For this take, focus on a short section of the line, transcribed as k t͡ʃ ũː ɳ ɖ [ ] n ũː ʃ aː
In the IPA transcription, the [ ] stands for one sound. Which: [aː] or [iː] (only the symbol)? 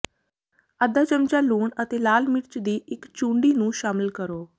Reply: iː